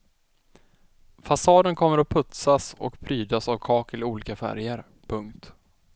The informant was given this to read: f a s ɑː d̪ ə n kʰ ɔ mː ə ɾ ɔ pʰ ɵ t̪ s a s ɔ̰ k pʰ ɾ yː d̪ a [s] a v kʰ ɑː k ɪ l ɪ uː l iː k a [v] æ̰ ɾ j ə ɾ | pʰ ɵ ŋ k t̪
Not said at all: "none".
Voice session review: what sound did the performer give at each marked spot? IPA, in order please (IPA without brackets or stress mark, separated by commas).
s, f